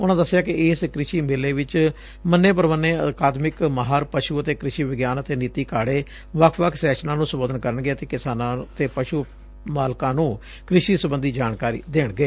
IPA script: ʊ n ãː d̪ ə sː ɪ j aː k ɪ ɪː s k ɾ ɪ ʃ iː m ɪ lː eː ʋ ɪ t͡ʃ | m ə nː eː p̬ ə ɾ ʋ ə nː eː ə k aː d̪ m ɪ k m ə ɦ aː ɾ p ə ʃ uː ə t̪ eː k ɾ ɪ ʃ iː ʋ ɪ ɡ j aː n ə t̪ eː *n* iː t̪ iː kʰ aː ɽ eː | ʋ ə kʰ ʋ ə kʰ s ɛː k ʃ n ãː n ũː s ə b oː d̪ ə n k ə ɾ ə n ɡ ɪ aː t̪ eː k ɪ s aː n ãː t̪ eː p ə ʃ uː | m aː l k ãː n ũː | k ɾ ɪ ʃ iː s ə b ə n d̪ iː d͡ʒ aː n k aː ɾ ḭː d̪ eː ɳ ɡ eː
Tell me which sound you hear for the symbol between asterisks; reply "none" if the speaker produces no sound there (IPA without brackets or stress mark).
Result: n